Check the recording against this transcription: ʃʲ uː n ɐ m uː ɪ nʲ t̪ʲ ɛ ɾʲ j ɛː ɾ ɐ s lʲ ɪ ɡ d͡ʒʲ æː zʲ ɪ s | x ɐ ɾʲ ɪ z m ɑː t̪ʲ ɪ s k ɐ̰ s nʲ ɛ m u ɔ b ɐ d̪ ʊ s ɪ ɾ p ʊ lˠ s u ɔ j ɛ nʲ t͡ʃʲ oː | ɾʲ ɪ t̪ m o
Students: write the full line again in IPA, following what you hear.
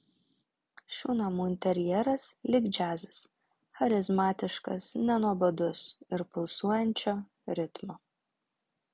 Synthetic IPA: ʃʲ uː n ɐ m uː ɪ nʲ t̪ʲ ɛ ɾʲ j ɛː ɾ ɐ s lʲ ɪ ɡ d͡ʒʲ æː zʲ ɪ s | x ɐ ɾʲ ɪ z m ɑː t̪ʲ ɪ ʃ k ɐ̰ s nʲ ɛ n u ɔ b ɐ d̪ ʊ s ɪ ɾ p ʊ lˠ s u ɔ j ɛ nʲ t͡ʃʲ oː | ɾʲ ɪ t̪ m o

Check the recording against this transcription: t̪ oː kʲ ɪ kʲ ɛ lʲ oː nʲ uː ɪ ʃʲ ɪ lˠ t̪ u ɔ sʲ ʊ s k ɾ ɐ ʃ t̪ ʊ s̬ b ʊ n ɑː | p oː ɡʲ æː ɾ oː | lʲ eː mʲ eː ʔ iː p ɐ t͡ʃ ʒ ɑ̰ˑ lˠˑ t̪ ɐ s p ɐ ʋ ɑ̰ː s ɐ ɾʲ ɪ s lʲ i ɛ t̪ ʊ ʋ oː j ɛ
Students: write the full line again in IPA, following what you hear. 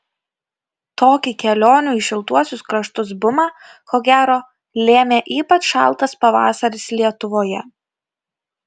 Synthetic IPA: t̪ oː kʲ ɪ kʲ ɛ lʲ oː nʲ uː ɪ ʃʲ ɪ lˠ t̪ u ɔ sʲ ʊ s k ɾ ɐ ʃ t̪ ʊ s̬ b ʊ m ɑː | k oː ɡʲ æː ɾ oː | lʲ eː mʲ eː ʔ iː p ɐ t͡ʃ ʃ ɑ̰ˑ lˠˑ t̪ ɐ s p ɐ ʋ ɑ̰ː s ɐ ɾʲ ɪ s lʲ i ɛ t̪ ʊ ʋ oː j ɛ

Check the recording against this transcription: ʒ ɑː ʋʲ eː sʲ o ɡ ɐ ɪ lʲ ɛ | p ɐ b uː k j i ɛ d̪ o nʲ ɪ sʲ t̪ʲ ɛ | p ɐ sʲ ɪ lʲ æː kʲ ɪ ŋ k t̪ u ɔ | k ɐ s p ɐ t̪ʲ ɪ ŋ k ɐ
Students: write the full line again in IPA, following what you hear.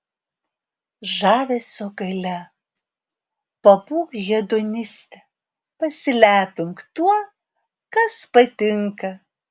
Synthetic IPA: ʒ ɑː ʋʲ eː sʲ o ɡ ɐ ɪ lʲ ɛ | p ɐ b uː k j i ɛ d̪ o nʲ ɪ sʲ t̪ʲ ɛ | p ɐ sʲ ɪ lʲ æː pʲ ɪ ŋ k t̪ u ɔ | k ɐ s p ɐ t̪ʲ ɪ ŋ k ɐ

